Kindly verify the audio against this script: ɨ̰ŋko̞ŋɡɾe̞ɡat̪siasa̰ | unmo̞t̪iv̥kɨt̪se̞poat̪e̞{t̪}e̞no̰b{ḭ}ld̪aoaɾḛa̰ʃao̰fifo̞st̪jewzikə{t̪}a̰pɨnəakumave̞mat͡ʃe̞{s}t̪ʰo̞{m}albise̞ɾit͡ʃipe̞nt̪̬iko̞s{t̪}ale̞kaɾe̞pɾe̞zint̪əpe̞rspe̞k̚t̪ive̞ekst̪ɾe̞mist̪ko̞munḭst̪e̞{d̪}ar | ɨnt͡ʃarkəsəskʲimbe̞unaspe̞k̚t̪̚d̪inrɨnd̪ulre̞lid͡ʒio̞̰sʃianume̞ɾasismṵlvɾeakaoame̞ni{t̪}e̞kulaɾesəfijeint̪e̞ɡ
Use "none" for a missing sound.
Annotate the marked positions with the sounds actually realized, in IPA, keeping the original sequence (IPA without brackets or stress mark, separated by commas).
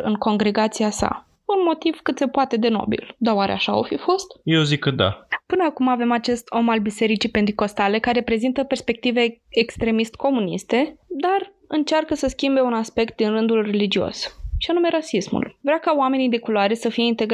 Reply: d̪, ḭ, d̪, s, m, t̪, d̪, d̪